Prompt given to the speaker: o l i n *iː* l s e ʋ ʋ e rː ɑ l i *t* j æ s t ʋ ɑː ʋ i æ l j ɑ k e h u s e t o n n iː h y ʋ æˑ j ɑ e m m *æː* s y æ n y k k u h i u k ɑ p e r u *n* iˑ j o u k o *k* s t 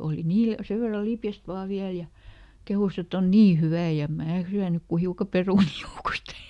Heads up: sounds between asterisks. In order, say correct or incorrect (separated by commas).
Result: correct, incorrect, correct, correct, incorrect